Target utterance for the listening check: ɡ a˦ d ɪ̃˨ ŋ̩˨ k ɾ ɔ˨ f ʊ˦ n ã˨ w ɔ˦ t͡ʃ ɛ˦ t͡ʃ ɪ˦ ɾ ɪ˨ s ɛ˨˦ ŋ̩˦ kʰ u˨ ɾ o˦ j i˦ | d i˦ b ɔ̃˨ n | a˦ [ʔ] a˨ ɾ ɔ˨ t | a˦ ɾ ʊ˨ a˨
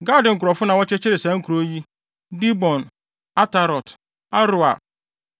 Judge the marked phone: incorrect: t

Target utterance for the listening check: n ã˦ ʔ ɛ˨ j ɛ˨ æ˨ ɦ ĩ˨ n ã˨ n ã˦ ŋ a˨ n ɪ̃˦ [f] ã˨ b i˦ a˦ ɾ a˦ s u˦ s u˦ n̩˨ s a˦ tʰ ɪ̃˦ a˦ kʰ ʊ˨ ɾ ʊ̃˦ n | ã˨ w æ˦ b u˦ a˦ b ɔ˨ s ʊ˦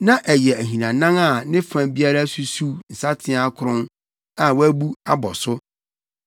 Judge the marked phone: correct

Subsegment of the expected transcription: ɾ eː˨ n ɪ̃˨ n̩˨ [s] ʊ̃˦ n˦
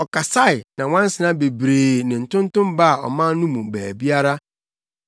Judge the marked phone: incorrect: t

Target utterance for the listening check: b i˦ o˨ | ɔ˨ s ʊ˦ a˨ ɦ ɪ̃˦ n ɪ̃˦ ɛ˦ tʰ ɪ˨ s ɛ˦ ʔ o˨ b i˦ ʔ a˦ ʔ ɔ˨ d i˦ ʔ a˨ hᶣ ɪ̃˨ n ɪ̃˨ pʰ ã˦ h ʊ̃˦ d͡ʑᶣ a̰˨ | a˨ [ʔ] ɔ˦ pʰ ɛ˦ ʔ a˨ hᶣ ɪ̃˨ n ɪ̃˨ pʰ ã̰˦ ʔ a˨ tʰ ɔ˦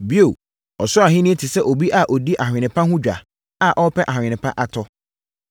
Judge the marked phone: correct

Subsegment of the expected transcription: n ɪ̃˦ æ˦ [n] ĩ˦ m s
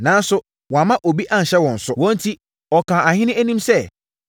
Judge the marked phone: correct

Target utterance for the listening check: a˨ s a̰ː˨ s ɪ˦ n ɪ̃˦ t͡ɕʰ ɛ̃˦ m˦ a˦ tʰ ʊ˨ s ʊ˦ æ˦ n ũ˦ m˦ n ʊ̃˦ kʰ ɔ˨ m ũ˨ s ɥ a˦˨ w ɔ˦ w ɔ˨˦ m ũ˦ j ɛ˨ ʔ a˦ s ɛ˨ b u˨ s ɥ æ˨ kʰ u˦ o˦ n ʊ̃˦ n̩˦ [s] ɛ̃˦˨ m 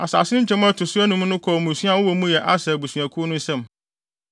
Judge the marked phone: correct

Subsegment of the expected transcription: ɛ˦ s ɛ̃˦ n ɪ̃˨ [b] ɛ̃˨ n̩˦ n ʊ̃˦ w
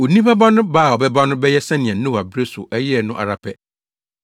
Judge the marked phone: incorrect: none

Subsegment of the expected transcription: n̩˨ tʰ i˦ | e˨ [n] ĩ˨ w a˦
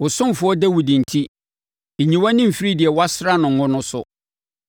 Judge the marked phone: incorrect: ɲ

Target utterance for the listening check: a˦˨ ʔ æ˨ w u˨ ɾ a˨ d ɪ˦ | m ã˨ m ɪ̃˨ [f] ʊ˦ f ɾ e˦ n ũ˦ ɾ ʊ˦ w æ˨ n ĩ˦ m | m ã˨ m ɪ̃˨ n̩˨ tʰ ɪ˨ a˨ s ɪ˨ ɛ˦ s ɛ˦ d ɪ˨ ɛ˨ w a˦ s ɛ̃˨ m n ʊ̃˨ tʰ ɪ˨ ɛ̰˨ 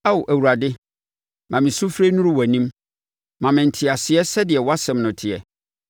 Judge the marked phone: incorrect: s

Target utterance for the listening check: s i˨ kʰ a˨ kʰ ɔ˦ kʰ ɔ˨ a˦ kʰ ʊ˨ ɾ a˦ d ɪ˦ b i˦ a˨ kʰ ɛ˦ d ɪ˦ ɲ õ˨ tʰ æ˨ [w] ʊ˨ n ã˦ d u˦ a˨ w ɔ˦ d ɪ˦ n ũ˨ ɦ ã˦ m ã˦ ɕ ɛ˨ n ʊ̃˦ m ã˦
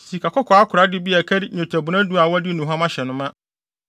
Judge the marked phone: incorrect: b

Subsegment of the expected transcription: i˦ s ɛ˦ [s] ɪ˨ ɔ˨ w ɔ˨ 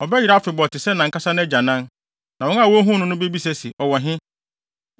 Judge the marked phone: correct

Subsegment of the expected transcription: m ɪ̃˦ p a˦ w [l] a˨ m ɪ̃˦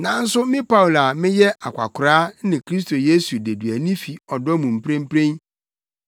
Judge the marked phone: correct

